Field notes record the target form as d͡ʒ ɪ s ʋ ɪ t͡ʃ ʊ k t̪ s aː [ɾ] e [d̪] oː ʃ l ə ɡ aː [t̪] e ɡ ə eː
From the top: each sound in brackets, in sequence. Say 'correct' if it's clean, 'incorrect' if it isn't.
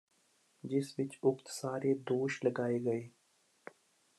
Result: correct, correct, incorrect: none

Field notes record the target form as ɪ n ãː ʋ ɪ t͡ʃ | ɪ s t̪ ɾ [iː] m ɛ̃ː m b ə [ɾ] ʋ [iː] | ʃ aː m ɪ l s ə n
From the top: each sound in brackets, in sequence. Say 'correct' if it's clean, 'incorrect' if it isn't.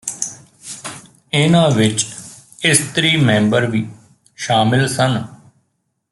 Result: correct, correct, correct

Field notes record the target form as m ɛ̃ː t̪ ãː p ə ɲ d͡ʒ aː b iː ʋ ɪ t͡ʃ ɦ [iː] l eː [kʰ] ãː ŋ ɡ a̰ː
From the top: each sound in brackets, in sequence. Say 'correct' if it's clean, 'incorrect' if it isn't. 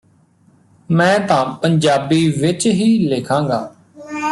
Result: correct, correct

